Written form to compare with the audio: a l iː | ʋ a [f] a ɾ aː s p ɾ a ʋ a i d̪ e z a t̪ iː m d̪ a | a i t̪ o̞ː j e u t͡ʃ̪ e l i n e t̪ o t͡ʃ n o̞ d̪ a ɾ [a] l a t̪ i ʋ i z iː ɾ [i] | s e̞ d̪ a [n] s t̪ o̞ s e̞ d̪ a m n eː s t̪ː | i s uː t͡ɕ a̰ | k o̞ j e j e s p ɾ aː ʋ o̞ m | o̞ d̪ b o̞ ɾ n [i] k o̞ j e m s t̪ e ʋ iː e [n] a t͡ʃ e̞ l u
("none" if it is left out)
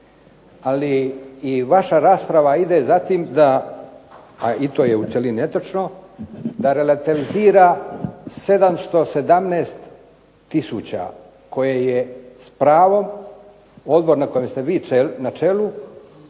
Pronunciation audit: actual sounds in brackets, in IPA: ʃ, e, a, m, a, n

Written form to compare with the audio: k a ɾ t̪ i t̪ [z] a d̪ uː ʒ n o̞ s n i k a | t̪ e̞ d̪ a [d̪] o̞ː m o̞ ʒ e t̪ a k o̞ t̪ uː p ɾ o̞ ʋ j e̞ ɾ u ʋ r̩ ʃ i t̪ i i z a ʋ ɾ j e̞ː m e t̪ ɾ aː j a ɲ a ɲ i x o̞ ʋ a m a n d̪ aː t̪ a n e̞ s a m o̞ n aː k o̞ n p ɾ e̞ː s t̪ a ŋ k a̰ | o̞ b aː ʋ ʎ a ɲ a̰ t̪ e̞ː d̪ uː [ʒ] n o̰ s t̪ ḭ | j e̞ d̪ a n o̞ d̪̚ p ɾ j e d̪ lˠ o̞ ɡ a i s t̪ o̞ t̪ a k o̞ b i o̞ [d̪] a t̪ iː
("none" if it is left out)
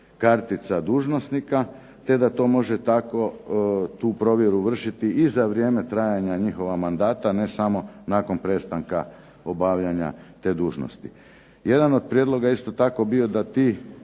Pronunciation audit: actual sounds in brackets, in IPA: s, t̪, ʒ, d̪

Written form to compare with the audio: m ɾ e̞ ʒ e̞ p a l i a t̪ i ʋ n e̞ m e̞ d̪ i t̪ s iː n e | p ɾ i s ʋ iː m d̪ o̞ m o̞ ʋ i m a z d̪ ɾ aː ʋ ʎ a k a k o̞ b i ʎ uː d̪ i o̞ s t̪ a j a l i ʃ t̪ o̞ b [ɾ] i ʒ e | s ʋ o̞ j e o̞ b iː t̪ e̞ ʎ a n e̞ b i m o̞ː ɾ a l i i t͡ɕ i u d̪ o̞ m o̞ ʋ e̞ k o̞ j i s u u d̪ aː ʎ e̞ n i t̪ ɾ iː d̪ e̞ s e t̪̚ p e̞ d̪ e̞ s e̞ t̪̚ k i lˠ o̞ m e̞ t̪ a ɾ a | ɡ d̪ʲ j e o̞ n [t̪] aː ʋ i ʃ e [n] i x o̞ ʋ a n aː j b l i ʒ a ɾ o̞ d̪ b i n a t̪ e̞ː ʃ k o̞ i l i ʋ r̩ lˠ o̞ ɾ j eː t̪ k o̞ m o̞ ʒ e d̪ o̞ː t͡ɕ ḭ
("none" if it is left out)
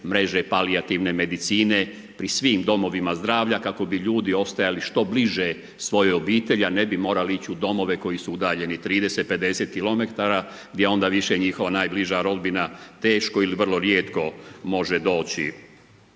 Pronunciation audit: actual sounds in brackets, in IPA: l, d̪, ɲ

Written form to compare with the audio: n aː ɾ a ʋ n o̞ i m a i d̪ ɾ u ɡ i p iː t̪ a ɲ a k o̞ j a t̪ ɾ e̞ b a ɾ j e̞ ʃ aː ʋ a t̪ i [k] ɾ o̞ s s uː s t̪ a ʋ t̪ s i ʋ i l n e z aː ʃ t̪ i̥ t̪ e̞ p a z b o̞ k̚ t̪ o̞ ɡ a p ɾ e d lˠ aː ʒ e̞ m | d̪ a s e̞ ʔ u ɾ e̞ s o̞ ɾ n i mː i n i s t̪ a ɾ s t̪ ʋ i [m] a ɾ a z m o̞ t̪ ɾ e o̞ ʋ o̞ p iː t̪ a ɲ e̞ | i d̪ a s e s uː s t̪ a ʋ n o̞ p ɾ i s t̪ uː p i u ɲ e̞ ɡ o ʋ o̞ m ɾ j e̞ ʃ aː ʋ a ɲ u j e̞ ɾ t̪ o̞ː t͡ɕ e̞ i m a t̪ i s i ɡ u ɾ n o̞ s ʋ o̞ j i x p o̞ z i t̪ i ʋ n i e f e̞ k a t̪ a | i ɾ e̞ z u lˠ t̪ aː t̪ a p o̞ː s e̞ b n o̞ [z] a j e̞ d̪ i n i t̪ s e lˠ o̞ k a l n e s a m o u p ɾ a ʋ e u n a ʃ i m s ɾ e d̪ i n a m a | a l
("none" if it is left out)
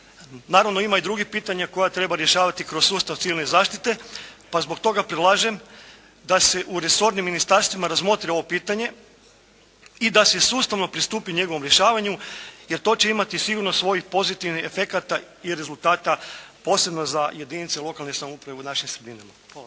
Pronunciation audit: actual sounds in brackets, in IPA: k, m, z

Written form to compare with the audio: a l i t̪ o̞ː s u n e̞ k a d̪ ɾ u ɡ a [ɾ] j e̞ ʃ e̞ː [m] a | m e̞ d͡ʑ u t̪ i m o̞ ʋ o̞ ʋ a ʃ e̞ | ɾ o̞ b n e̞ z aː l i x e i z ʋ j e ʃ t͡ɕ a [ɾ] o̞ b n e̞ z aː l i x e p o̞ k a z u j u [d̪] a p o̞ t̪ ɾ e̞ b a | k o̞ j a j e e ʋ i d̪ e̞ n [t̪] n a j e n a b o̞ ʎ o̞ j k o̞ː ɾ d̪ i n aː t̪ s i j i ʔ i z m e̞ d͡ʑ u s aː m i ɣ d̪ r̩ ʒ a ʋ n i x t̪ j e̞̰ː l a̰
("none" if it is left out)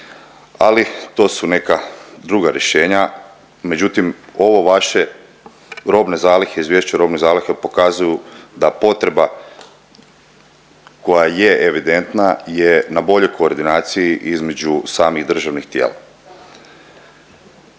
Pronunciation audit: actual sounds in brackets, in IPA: ɾ, ɲ, ɾ, d̪, t̪

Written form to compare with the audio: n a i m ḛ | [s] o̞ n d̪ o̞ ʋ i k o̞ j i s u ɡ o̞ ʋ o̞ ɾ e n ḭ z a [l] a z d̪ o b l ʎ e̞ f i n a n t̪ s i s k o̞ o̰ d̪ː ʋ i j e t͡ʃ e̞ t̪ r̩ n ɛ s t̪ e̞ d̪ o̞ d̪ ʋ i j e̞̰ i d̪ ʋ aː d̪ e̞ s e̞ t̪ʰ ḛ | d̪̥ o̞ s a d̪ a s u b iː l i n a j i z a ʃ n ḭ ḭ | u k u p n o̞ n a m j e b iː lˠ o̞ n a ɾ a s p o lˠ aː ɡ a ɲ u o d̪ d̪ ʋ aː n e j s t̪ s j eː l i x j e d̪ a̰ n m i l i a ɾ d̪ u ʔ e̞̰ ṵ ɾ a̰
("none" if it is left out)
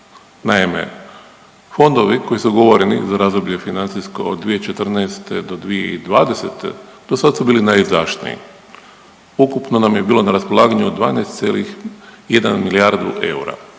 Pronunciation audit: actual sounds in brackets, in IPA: f, ɾ

